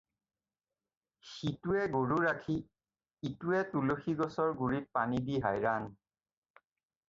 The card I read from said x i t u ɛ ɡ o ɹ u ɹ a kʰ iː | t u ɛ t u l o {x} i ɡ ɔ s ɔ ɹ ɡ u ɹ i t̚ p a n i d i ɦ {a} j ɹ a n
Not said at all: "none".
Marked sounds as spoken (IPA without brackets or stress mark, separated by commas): x, a